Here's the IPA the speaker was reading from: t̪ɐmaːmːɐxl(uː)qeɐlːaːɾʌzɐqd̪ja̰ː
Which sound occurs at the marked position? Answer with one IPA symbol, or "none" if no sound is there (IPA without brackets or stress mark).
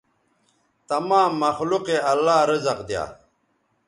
u